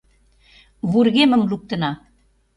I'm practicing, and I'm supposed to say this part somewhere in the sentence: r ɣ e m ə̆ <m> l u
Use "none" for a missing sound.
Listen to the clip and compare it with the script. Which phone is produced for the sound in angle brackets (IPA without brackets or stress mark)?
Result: m